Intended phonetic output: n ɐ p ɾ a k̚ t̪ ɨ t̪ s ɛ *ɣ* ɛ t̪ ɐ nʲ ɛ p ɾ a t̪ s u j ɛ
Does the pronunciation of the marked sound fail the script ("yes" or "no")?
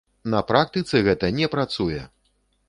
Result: no